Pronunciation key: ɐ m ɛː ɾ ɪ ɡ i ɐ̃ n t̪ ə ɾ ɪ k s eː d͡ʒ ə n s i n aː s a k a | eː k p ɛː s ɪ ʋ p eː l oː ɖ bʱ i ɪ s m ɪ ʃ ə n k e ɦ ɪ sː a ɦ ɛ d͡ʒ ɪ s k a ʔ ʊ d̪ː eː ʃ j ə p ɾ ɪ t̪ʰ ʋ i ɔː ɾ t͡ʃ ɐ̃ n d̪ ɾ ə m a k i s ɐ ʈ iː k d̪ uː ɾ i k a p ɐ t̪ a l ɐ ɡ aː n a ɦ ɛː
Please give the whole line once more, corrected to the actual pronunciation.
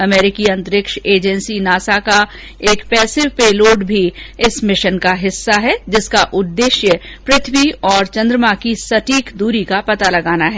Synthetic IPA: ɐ m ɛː ɾ ɪ k i ɐ̃ n t̪ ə ɾ ɪ k ʃ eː d͡ʒ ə n s i n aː s a k a | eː k p ɛː s ɪ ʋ p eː l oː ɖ bʱ i ɪ s m ɪ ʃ ə n k a ɦ ɪ sː a ɦ ɛ d͡ʒ ɪ s k a ʔ ʊ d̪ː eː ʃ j ə p ɾ ɪ t̪ʰ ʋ i ɔː ɾ t͡ʃ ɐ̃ n d̪ ɾ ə m a k i s ɐ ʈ iː k d̪ uː ɾ i k a p ɐ t̪ a l ɐ ɡ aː n a ɦ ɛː

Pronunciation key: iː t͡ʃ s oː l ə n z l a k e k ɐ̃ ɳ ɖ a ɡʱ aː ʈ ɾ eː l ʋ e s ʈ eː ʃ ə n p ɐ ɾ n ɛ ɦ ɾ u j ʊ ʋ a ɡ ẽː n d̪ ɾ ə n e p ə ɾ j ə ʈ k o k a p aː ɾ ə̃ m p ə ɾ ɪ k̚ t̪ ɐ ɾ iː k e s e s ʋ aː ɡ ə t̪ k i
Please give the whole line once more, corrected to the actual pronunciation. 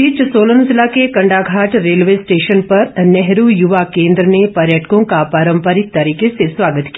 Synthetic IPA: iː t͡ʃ s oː l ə n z l a k e k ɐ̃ ɳ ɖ a ɡʱ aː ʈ ɾ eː l ʋ e s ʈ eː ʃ ə n p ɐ ɾ n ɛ ɦ ɾ u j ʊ ʋ a k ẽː n d̪ ɾ ə n e p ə ɾ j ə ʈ k õ k a p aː ɾ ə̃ m p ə ɾ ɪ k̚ t̪ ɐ ɾ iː k e s e s ʋ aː ɡ ə t̪ k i

